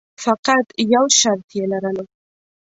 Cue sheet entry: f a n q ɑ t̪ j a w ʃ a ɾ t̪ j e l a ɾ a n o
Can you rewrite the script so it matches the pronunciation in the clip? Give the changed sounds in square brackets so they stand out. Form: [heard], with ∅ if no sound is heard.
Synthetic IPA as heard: f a [∅] q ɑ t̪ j a w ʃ a ɾ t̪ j e l a ɾ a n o